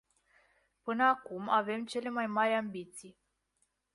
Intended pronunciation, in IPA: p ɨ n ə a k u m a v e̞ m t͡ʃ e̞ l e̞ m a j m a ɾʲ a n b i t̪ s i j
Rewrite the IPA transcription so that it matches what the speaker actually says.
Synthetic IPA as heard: p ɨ n ə a k u m a v e̞ m t͡ʃ e̞ l e̞ m a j m a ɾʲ a m b i t̪ s i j